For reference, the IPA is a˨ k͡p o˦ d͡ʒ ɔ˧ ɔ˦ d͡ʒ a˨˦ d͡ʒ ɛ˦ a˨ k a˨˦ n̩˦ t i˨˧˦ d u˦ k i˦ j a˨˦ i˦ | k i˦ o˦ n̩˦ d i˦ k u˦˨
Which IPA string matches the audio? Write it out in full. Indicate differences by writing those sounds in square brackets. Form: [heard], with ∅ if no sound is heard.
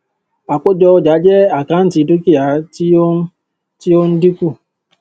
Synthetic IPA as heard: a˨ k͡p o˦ d͡ʒ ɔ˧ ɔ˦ d͡ʒ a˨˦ d͡ʒ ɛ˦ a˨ k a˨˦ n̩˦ t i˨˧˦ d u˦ k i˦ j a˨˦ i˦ | [t] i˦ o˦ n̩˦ d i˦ k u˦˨